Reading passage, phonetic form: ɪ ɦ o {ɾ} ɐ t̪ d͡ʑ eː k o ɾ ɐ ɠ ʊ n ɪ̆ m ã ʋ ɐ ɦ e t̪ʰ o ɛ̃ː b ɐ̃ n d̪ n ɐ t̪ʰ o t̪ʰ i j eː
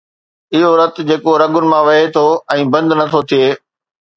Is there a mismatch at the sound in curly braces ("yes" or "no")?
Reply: no